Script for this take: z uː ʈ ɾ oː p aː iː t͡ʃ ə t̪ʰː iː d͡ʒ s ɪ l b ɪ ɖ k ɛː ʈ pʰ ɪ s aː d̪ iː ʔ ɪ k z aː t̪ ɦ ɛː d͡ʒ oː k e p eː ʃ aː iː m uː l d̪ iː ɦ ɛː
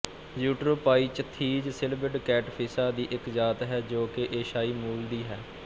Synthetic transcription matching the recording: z uː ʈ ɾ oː p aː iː t͡ʃ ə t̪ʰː iː d͡ʒ s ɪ l b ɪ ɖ k ɛː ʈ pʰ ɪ s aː d̪ iː ʔ ɪ k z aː t̪ ɦ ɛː d͡ʒ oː k e ʔ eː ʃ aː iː m uː l d̪ iː ɦ ɛː

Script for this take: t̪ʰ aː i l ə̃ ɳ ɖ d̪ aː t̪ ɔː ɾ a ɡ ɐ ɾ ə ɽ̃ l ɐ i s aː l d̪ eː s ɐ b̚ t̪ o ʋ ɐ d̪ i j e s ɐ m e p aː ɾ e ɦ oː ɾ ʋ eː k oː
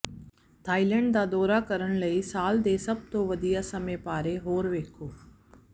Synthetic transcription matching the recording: t̪ʰ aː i l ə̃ ɳ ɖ d̪ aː d̪ ɔː ɾ a k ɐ ɾ ə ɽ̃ l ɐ i s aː l d̪ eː s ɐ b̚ t̪ o ʋ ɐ d̪ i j a s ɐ m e p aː ɾ e ɦ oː ɾ ʋ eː kʰ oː

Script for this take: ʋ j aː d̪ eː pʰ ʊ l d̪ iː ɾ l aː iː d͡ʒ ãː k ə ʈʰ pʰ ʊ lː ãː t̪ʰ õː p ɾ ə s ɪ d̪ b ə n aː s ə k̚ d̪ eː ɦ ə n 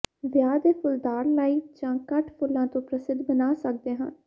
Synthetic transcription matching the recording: ʋ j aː d̪ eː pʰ ʊ l d̪ aː ɾ l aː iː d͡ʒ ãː k ə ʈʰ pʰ ʊ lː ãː t̪ õː p ɾ ə s ɪ d̪ b ə n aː s ə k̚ d̪ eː ɦ ə n

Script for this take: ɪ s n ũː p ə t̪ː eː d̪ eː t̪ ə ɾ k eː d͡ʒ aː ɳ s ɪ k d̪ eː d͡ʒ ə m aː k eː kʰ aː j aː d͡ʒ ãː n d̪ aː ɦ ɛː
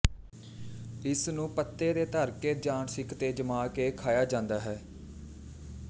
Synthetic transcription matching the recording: ɪ s n ũː p ə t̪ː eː d̪ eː t̪ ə ɾ k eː d͡ʒ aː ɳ s ɪ k t̪ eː d͡ʒ ə m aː k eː kʰ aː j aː d͡ʒ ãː n d̪ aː ɦ ɛː

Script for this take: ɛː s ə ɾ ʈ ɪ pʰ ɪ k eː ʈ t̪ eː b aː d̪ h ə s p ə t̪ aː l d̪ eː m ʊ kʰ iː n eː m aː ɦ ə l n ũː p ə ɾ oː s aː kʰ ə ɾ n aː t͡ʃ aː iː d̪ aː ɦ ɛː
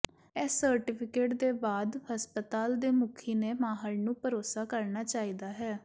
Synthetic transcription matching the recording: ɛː s ə ɾ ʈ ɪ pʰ ɪ k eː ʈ d̪ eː b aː d̪ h ə s p ə t̪ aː l d̪ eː m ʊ kʰ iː n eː m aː ɦ ə l n ũː p ə ɾ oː s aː k ə ɾ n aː t͡ʃ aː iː d̪ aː ɦ ɛː

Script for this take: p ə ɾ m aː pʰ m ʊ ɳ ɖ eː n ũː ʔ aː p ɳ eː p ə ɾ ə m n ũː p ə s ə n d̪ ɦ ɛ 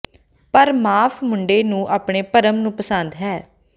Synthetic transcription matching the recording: p ə ɾ m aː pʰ m ʊ ɳ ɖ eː n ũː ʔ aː p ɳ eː p ə ɾ ə m n ũː p ə s ə n d̪ ɦ ɛː

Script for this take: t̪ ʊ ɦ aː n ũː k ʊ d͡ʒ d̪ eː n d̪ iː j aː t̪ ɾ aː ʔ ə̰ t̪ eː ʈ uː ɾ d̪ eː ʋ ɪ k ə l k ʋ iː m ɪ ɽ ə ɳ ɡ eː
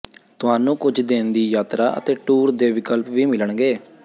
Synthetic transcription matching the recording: t̪ ʊ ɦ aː n ũː k ʊ d͡ʒ d̪ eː n d̪ iː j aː t̪ ɾ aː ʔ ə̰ t̪ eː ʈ uː ɾ d̪ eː ʋ ɪ k ə l p ʋ iː m ɪ l ə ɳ ɡ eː

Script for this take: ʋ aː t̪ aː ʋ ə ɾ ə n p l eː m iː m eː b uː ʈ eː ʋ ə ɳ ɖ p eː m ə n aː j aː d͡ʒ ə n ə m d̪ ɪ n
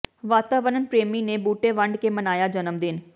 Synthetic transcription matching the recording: ʋ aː t̪ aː ʋ ə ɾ ə n p ɾ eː m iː n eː b uː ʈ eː ʋ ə ɳ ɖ k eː m ə n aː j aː d͡ʒ ə n ə m d̪ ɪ n

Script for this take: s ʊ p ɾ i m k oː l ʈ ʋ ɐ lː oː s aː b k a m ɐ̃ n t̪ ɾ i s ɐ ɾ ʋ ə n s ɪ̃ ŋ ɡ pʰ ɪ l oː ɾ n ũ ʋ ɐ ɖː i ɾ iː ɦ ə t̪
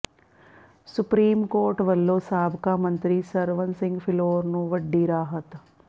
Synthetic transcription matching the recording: s ʊ p ɾ iː m k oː ɾ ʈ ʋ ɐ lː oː s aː b k a m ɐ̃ n t̪ ɾ i s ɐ ɾ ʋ ə n s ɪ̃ ŋ ɡ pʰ ɪ l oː ɾ n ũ ʋ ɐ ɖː i ɾ aː ɦ ə t̪

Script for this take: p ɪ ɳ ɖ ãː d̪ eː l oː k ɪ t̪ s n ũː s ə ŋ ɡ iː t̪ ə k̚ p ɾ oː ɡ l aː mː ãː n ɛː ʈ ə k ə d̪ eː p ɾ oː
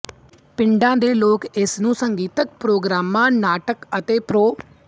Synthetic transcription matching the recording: p ɪ ɳ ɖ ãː d̪ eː l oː k ɪ s n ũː s ə ŋ ɡ iː t̪ ə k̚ p ɾ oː ɡ ɾ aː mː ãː n aː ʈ ə k ə t̪ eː p ɾ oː

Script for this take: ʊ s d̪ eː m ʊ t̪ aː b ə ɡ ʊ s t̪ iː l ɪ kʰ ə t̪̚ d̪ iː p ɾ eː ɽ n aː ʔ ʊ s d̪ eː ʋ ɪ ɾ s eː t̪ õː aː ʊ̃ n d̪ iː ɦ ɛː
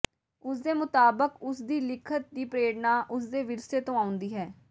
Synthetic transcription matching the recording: ʊ s d̪ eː m ʊ t̪ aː b ə k ʊ s d̪ iː l ɪ kʰ ə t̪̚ d̪ iː p ɾ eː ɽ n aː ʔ ʊ s d̪ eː ʋ ɪ ɾ s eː t̪ õː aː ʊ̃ n d̪ iː ɦ ɛː

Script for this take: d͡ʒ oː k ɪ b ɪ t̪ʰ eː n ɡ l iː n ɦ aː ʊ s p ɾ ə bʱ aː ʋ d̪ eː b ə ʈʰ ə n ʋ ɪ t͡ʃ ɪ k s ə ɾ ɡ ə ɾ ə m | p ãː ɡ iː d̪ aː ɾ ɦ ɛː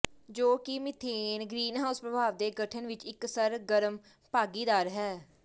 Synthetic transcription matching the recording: d͡ʒ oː k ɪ m ɪ t̪ʰ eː n ɡ ɾ iː n ɦ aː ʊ s p ɾ ə bʱ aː ʋ d̪ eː ɡ ə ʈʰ ə n ʋ ɪ t͡ʃ ɪ k s ə ɾ ɡ ə ɾ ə m | p aː ɡ iː d̪ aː ɾ ɦ ɛː

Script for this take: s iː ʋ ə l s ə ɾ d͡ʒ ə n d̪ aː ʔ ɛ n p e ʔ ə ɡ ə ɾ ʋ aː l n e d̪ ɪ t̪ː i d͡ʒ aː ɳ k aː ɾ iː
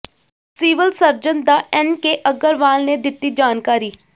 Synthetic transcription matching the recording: s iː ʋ ə l s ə ɾ d͡ʒ ə n d̪ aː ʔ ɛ n k e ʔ ə ɡ ə ɾ ʋ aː l n e d̪ ɪ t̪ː i d͡ʒ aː n k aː ɾ iː

